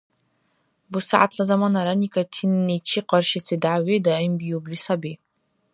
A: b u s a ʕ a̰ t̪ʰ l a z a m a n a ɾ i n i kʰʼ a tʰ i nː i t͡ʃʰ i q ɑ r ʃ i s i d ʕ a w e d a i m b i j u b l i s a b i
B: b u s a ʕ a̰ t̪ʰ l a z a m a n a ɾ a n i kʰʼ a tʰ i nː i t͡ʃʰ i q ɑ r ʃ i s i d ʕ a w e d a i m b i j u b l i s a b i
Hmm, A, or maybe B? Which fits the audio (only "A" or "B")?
B